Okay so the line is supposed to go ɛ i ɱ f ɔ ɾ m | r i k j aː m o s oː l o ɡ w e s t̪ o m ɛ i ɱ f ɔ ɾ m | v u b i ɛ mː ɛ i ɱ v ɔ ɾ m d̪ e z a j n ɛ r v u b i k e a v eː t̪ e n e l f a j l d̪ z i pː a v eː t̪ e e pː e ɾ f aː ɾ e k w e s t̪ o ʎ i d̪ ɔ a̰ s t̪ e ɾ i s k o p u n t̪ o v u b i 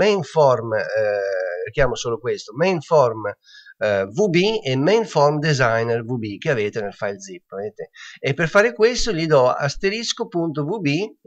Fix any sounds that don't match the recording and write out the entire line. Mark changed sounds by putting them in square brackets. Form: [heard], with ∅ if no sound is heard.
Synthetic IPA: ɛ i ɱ f ɔ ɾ m | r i k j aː m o s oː l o [k] w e s t̪ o m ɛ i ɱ f ɔ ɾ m | v u b i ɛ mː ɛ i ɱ [f] ɔ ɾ m d̪ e z a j n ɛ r v u b i k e a v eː t̪ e n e l f a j l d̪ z i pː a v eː t̪ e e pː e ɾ f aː ɾ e k w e s t̪ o ʎ i d̪ ɔ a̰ s t̪ e ɾ i s k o p u n t̪ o v u b i